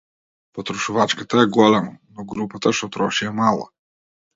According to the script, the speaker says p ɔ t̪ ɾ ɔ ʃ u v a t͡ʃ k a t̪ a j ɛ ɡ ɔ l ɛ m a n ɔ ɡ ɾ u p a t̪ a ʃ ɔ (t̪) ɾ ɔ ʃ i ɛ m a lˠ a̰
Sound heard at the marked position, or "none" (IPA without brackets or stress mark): t̪